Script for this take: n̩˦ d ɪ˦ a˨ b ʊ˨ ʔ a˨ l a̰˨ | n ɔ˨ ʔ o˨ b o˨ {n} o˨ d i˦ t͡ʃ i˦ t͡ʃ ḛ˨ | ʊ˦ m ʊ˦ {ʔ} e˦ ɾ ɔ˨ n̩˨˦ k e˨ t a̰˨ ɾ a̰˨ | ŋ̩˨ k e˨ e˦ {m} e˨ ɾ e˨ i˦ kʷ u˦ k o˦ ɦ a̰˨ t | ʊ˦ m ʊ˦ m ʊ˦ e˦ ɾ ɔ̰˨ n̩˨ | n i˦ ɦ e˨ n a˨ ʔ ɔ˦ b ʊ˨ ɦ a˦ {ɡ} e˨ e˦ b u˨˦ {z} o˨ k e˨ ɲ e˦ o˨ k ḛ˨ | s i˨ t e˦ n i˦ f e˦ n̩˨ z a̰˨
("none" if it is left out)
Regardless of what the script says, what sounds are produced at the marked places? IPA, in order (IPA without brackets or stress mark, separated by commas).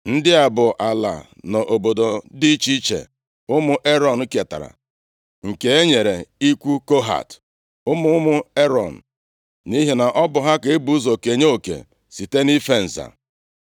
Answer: d, ʔ, ɲ, k, z